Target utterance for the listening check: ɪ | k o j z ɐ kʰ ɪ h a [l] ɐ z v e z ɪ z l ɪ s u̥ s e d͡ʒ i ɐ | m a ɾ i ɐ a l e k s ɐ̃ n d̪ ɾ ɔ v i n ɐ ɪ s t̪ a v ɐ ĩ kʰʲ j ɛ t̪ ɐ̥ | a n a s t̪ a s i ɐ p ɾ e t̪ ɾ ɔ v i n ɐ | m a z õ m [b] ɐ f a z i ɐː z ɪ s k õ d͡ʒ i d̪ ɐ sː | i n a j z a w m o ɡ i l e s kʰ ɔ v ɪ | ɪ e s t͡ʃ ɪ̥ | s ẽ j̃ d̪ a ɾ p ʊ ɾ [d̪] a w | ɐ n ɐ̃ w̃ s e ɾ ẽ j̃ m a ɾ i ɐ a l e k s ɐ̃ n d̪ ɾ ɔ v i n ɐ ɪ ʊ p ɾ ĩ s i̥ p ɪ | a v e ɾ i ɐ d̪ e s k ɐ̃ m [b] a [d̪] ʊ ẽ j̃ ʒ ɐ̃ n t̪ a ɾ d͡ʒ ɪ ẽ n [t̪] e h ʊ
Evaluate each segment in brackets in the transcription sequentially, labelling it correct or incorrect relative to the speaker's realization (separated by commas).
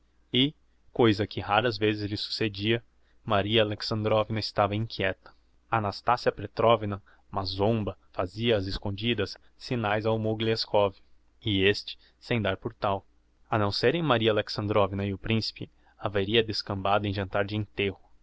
incorrect, correct, incorrect, correct, correct, correct